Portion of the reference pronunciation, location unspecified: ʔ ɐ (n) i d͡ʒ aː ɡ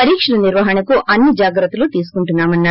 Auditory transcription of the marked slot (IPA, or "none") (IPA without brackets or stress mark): nː